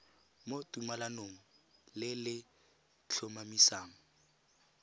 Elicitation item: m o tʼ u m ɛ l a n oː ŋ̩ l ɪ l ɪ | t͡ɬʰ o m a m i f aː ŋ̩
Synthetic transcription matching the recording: m o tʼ u m a l a n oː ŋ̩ l ɪ l ɪ | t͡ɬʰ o m a m i s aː ŋ̩